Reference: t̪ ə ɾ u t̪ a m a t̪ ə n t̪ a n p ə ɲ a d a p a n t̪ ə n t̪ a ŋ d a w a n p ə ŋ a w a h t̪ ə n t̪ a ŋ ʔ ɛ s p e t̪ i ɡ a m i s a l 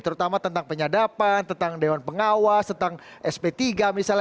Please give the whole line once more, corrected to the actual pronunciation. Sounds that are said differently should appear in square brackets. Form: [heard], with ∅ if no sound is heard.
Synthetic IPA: t̪ ə ɾ u t̪ a m a t̪ ə n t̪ a [ŋ] p ə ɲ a d a p a n t̪ ə n t̪ a ŋ d [e] w a n p ə ŋ a w a [s] t̪ ə n t̪ a ŋ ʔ ɛ s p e t̪ i ɡ a m i s a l